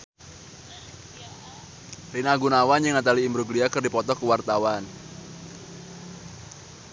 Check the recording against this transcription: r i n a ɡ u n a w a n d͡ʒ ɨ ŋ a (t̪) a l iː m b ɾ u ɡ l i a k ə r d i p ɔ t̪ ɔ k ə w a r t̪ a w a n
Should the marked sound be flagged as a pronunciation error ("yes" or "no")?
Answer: no